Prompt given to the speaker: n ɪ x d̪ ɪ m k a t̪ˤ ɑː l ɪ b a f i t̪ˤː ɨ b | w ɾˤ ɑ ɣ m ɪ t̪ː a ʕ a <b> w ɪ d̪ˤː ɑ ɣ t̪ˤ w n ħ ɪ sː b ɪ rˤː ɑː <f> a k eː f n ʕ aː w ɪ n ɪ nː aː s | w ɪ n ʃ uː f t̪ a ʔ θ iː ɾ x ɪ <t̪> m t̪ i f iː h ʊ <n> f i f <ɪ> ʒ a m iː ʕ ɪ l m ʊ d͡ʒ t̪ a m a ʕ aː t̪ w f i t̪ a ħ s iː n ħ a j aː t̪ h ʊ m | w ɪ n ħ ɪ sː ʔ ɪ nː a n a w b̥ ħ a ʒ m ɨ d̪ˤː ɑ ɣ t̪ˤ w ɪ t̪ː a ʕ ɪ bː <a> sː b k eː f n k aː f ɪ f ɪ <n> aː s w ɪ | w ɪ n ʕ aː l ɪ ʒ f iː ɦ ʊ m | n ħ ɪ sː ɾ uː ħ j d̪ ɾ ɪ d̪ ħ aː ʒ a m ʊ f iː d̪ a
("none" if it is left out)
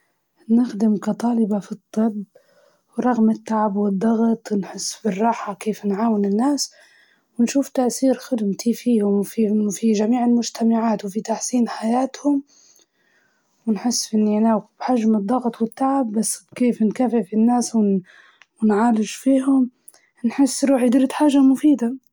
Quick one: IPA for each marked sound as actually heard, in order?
b, ħ, d̪, m, i, a, nː

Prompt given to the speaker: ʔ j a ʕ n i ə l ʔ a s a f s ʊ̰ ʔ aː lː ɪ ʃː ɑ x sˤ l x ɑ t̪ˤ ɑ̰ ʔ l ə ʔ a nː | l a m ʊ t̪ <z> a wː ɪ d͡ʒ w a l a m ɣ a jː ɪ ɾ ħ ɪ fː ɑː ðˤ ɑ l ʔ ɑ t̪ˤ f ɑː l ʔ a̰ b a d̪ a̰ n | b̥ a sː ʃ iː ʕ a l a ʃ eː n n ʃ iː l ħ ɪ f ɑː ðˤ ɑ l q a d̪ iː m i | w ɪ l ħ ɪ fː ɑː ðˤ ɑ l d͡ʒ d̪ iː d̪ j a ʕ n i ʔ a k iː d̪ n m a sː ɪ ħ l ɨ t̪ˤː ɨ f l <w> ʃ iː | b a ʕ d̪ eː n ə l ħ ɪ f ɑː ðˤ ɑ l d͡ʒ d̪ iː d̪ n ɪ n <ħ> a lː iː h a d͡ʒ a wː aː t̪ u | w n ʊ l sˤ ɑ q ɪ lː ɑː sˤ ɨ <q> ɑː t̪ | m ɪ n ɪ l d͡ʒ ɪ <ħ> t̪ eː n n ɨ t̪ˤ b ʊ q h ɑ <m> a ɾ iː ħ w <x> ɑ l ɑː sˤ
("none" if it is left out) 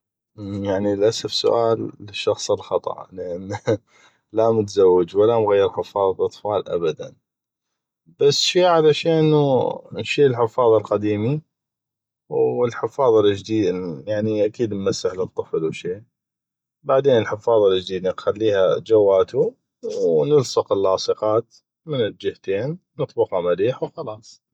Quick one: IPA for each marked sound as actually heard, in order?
z, w, x, q, h, m, x

